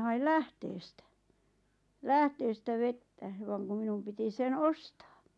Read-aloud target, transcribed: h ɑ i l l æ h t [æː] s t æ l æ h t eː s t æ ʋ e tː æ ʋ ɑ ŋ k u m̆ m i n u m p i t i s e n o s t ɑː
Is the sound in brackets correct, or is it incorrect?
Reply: incorrect: eː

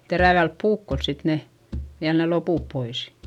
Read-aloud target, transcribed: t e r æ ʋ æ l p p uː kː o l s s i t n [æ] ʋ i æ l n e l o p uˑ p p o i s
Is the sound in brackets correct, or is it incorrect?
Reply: incorrect: e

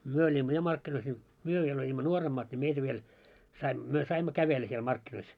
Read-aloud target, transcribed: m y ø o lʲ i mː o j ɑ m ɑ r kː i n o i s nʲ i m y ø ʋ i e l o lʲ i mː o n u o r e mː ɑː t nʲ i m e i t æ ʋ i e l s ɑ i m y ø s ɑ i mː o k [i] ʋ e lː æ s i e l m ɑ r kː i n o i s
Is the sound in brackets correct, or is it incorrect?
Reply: incorrect: æ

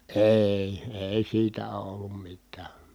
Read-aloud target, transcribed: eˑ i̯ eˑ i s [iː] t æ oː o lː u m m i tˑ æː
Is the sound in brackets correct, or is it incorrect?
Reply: correct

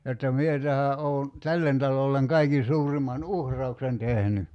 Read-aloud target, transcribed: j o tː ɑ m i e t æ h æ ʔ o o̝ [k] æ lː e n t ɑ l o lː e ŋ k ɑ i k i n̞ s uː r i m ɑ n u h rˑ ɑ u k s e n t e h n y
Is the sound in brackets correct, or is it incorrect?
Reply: incorrect: t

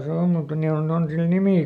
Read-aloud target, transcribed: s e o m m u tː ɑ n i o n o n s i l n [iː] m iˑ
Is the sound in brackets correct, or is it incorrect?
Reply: incorrect: i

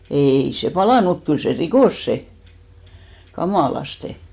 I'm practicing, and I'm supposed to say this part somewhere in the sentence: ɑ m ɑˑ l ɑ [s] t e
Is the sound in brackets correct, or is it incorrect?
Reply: correct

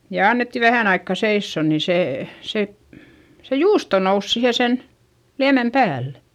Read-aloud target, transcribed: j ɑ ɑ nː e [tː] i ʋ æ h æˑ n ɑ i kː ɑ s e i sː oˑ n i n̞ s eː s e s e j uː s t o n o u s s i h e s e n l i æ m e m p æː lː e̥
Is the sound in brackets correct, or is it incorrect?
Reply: correct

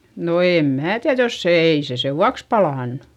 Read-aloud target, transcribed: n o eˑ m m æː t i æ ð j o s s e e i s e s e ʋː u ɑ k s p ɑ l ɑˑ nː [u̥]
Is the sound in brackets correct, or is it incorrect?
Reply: correct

